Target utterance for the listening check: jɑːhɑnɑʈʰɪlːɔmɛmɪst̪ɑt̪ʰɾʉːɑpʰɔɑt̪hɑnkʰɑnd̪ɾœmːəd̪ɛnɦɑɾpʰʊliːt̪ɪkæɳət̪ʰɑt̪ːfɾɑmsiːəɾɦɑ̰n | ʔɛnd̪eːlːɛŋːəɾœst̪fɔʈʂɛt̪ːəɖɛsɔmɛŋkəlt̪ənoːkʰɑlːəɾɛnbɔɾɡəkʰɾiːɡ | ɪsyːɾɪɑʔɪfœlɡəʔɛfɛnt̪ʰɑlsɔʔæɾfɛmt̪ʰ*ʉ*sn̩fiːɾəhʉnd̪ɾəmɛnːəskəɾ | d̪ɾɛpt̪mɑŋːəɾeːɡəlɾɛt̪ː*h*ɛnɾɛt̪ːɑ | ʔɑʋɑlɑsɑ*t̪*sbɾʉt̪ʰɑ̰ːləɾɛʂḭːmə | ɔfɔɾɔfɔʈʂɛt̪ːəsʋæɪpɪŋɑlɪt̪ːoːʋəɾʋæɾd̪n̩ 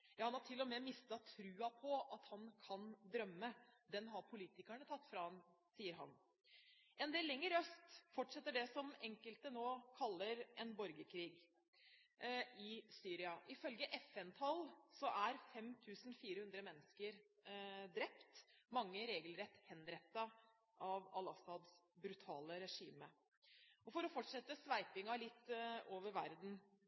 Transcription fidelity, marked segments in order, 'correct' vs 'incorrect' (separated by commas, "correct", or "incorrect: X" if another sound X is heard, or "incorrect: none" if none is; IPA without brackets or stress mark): incorrect: ʉː, correct, incorrect: d̪